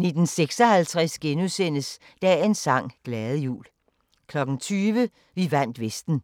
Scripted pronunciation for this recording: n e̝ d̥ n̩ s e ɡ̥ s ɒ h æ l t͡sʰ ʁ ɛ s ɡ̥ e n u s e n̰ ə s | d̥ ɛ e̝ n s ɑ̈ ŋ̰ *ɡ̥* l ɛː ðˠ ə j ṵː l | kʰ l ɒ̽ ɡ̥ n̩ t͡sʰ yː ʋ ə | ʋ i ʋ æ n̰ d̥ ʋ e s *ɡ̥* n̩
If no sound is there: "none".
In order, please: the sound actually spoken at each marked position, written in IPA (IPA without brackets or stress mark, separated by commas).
ɡ̥, d̥